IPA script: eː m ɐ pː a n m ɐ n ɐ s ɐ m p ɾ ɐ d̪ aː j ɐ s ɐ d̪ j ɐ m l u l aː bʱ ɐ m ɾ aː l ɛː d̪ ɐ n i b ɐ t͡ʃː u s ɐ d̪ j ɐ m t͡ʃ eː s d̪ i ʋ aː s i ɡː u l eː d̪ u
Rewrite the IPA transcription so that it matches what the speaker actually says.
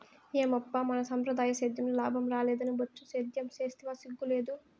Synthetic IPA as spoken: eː m ɐ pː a m ɐ n ɐ s ɐ m p ɾ ɐ d̪ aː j ɐ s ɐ d̪ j ɐ m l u l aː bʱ ɐ m ɾ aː l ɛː d̪ ɐ n i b ɐ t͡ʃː u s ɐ d̪ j ɐ m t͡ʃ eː s t̪ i ʋ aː s i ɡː u l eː d̪ u